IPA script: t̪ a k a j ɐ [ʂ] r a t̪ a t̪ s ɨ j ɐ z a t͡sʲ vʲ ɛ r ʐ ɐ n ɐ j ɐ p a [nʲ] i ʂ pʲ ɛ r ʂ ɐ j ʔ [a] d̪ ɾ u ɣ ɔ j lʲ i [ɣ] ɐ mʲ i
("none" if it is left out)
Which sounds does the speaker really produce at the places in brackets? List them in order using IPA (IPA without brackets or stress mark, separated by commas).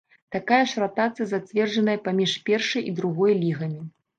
ʂ, mʲ, i, ɣ